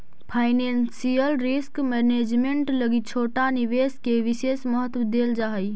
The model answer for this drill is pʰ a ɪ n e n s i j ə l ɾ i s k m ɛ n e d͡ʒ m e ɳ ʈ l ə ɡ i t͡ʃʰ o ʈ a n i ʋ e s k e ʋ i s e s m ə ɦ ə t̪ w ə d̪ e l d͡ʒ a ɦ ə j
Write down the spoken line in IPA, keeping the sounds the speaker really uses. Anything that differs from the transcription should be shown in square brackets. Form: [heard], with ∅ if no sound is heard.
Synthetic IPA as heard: pʰ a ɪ n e n s i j ə l ɾ i s k m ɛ n e d͡ʒ m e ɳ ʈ l ə ɡ i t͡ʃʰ o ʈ a n i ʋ e s k e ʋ i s e s m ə ɦ ə t̪ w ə d̪ e l d͡ʒ a ɦ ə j